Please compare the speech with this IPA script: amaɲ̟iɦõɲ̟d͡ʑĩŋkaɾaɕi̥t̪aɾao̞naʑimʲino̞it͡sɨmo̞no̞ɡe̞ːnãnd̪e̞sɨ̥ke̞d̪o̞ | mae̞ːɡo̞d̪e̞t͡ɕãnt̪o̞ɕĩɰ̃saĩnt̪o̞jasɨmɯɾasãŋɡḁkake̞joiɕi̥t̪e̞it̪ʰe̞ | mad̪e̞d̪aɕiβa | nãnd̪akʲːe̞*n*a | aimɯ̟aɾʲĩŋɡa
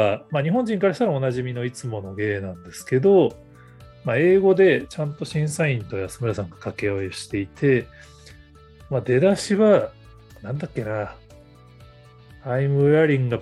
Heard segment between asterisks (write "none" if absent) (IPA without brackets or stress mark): n